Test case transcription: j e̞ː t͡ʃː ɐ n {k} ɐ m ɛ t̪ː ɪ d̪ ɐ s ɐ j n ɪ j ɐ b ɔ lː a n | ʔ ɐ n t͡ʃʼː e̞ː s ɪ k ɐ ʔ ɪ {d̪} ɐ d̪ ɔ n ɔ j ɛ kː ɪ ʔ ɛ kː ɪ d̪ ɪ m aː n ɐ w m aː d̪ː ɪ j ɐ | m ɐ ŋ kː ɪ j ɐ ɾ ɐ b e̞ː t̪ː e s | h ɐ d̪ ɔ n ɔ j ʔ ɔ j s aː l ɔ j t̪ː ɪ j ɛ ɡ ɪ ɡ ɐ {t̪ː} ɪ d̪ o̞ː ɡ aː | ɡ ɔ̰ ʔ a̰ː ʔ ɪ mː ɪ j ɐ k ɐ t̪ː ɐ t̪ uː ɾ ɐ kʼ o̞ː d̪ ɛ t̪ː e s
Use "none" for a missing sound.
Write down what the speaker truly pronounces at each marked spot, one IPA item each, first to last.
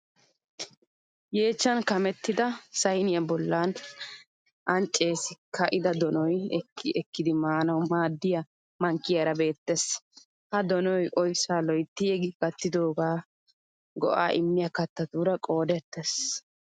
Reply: k, d̪, t̪ː

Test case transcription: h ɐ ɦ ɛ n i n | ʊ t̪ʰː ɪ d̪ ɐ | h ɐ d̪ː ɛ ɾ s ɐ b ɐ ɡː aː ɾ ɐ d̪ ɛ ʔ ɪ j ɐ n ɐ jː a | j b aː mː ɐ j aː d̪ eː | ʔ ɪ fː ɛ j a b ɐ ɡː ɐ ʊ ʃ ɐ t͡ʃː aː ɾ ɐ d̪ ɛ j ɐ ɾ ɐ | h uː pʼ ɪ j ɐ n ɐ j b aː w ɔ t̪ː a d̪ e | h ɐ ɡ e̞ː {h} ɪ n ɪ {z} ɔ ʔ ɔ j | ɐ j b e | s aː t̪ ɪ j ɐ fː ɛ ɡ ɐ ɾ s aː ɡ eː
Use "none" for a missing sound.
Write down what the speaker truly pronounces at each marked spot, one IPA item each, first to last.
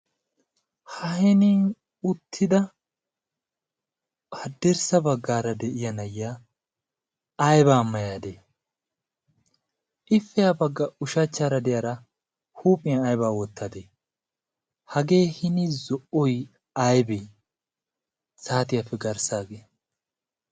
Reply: h, z

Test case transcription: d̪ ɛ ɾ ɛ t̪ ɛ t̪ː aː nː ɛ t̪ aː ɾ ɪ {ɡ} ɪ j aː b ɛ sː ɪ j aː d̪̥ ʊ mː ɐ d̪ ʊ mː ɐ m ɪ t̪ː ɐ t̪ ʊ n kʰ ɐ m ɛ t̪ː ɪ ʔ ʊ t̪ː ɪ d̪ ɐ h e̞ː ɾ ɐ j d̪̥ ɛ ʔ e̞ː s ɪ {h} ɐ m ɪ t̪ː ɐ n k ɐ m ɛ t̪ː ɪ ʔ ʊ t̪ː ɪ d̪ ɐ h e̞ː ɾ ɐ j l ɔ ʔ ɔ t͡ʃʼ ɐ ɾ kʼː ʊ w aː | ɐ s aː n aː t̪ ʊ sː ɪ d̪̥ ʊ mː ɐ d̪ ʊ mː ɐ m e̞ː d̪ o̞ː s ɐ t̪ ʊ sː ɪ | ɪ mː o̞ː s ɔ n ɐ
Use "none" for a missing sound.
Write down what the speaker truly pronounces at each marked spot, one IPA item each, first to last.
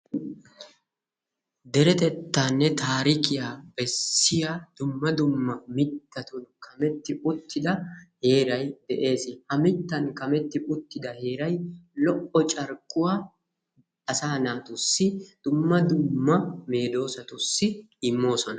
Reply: k, h

